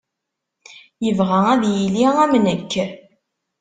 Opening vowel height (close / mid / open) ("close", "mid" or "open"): mid